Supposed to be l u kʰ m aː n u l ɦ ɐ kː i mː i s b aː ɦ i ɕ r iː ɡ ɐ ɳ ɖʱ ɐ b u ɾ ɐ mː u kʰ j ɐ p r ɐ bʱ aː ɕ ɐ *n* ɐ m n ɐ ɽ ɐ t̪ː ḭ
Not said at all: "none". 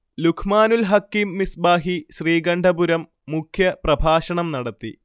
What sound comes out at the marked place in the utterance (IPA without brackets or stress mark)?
ɳ